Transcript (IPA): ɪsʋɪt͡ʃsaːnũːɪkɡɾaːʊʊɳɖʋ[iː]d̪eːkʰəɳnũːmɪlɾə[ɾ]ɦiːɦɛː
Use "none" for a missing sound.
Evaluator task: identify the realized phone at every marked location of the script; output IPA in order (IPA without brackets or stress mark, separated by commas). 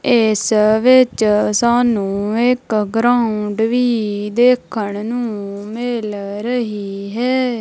iː, none